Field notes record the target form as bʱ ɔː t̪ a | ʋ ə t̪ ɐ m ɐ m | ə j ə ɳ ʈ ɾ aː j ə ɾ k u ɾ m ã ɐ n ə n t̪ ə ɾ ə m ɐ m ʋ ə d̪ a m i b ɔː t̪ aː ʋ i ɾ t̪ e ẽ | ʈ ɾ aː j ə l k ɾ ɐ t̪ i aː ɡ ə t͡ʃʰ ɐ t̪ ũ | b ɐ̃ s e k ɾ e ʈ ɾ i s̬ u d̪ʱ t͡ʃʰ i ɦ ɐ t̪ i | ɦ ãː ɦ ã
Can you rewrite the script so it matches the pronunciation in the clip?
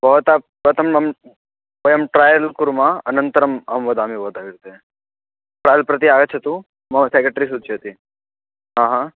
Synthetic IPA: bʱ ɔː t̪ a | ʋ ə t̪ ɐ m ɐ m | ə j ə m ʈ ɾ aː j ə l k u ɾ m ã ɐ n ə n t̪ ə ɾ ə m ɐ m ʋ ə d̪ a m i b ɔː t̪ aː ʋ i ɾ t̪ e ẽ | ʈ ɾ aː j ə l p ɾ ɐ t̪ i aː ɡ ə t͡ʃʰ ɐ t̪ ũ | m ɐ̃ s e k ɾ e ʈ ɾ i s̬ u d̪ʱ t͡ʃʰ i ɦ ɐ t̪ i | ɦ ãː ɦ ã